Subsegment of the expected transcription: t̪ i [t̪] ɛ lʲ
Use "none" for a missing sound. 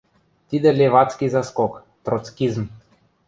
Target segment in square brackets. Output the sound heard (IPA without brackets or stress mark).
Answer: d̪